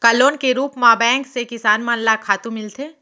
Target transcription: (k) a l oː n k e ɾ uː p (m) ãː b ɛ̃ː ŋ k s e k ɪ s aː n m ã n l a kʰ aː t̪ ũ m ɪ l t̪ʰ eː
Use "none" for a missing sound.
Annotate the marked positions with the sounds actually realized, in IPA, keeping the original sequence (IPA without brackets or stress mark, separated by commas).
k, m